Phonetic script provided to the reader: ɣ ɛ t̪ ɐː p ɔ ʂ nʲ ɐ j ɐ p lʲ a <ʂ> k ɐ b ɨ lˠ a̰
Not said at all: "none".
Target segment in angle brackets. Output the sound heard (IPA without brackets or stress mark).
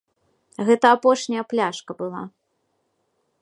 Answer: ʂ